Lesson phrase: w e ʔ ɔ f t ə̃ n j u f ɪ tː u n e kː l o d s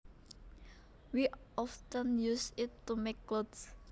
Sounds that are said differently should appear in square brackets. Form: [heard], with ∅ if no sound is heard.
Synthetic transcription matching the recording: w [i] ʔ ɔ f t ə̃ n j u [s] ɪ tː u [m] e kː l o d s